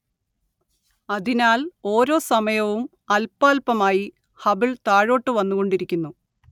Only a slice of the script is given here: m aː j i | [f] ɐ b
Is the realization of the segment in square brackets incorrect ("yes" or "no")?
yes